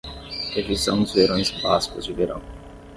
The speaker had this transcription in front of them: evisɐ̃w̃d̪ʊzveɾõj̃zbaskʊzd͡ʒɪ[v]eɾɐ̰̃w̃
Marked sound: correct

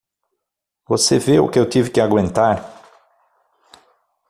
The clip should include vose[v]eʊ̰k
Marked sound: correct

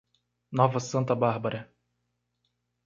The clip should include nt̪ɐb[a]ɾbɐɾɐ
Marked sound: correct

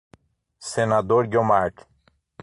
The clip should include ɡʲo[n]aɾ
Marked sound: incorrect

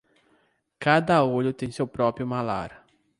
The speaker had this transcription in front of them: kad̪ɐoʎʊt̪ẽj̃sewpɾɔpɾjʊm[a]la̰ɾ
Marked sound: correct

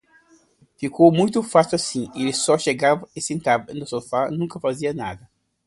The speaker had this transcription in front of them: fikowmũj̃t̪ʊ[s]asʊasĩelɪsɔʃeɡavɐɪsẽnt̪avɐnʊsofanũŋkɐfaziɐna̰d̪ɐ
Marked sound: incorrect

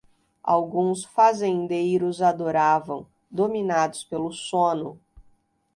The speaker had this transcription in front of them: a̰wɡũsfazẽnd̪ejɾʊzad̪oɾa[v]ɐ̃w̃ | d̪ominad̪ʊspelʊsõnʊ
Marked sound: correct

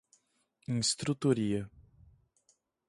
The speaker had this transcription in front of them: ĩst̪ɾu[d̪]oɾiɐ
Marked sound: incorrect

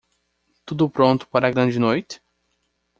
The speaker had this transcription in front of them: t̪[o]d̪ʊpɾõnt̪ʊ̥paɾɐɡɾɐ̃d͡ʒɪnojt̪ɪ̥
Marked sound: incorrect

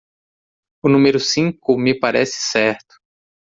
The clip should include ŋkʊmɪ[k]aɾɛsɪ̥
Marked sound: incorrect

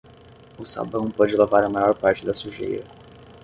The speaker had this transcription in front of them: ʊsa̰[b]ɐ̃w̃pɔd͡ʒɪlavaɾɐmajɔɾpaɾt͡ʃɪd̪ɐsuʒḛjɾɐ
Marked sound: correct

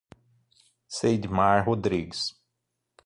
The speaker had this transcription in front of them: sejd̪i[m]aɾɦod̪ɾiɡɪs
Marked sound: correct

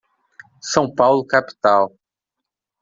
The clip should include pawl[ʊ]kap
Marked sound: correct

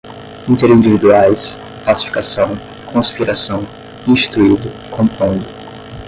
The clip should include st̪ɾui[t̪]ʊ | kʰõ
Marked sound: incorrect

